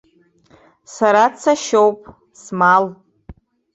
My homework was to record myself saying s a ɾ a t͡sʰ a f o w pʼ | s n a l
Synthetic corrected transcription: s a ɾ a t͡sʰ a ʃ o w pʼ | s m a l